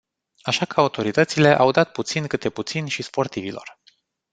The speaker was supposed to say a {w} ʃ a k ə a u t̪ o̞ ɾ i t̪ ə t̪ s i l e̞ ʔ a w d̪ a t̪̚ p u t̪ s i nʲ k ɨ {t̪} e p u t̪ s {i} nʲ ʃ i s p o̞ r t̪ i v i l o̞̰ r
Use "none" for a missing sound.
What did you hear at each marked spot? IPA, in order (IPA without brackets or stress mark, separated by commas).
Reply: none, t̪, i